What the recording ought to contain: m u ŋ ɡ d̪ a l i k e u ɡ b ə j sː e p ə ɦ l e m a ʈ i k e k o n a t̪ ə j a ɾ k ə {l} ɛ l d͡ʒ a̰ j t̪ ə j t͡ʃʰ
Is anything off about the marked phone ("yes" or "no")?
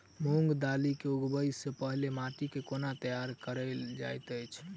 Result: yes